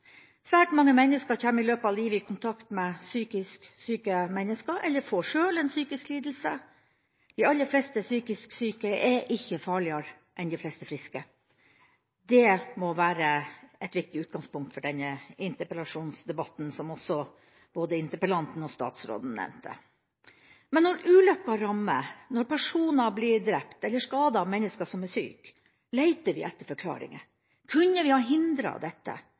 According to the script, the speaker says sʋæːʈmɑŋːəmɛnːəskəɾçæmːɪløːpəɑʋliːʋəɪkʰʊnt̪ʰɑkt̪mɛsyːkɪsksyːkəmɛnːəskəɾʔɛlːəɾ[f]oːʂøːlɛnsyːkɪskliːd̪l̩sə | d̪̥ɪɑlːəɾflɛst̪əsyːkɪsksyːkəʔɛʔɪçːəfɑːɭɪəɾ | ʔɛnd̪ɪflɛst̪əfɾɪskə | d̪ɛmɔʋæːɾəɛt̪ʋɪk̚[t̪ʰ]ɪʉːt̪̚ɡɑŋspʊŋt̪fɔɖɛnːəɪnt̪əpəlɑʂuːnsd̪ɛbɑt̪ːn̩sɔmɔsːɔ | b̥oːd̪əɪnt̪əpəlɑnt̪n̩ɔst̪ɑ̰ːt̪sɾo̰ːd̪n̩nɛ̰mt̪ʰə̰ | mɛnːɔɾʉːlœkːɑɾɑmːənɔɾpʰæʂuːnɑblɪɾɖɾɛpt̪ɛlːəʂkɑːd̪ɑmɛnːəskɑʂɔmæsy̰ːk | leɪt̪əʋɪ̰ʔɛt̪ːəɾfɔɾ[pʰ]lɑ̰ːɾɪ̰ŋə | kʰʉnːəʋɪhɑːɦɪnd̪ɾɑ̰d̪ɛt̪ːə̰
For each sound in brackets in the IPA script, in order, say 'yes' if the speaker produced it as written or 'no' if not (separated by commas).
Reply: yes, no, no